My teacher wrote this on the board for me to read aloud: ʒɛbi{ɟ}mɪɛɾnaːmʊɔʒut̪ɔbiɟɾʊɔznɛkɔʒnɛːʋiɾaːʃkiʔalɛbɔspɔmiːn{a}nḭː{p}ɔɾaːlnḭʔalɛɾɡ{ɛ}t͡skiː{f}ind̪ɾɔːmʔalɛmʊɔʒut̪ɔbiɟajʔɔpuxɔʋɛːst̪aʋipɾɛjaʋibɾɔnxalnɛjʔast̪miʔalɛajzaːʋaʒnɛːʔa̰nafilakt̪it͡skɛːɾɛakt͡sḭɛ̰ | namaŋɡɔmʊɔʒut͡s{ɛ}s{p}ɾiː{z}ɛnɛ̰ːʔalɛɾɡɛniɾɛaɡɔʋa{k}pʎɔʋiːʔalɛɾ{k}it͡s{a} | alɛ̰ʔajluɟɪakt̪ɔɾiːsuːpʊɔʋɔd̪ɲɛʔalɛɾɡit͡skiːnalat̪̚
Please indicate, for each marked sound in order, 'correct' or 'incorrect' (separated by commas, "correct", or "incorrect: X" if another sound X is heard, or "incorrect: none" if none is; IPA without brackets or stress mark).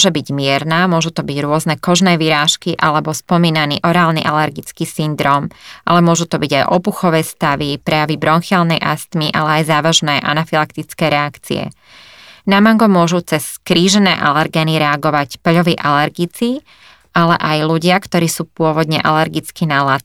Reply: correct, correct, incorrect: ʔ, incorrect: i, incorrect: s, correct, incorrect: k, incorrect: ʒ, incorrect: c, incorrect: ɡ, incorrect: i